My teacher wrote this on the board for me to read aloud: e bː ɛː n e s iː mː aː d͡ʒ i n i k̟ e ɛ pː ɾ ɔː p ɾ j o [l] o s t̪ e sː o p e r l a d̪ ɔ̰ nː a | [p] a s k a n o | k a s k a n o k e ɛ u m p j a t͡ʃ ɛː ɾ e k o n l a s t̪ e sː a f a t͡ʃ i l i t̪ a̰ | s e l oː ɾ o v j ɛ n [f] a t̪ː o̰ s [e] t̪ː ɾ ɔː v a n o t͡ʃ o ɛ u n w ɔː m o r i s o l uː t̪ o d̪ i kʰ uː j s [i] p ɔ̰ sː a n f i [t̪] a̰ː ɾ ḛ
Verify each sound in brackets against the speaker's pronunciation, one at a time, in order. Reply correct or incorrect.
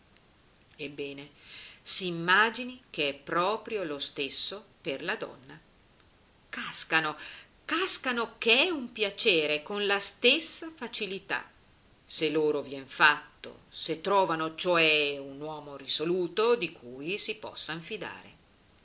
correct, incorrect: k, correct, correct, correct, incorrect: d̪

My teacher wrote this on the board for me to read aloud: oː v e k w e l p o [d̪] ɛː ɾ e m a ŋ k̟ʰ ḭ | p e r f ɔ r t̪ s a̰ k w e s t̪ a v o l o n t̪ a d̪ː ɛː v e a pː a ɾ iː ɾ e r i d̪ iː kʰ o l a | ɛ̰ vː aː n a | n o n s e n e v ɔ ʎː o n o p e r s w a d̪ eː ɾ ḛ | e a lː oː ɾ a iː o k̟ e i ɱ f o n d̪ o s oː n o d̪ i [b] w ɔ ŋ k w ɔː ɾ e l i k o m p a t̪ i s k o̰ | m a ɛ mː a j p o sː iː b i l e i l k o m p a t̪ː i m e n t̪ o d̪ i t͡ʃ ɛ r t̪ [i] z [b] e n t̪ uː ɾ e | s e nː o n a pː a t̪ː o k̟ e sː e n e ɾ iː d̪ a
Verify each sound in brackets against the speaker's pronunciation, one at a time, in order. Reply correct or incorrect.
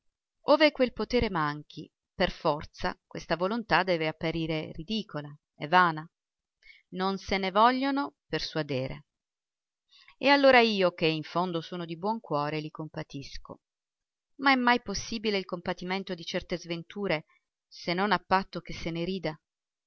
incorrect: t̪, correct, incorrect: e, incorrect: v

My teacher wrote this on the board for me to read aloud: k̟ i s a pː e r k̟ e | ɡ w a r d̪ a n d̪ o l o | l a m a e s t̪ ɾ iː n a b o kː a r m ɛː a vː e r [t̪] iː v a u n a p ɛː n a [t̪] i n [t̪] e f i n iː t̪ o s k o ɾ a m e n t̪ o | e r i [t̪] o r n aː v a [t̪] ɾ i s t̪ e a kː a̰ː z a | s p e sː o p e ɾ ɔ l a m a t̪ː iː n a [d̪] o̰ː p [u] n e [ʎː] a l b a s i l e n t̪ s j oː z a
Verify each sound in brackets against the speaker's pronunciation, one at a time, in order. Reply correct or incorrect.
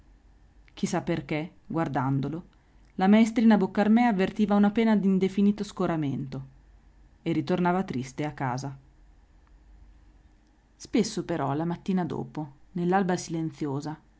correct, incorrect: d̪, incorrect: d̪, correct, correct, correct, incorrect: o, incorrect: lː

